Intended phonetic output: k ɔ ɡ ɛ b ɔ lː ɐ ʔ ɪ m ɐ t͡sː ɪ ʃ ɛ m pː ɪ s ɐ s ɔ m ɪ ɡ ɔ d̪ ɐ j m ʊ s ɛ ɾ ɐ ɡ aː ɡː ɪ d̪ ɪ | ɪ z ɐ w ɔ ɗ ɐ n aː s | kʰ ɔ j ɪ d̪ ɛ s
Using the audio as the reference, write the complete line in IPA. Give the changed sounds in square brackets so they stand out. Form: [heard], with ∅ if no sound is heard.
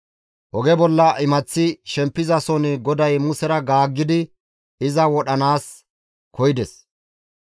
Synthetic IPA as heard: [ʔ] ɔ ɡ ɛ b ɔ lː ɐ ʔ ɪ m ɐ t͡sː ɪ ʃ ɛ m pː ɪ [z] ɐ s ɔ [n] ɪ ɡ ɔ d̪ ɐ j m ʊ s ɛ ɾ ɐ ɡ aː ɡː ɪ d̪ ɪ | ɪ z ɐ w ɔ ɗ ɐ n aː s | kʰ ɔ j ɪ d̪ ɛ s